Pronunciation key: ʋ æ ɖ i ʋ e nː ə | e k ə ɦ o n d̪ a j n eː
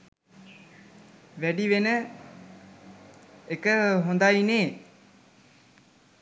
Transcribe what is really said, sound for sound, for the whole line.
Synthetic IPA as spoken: ʋ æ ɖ i ʋ e n ə | e k ə ɦ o n d̪ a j n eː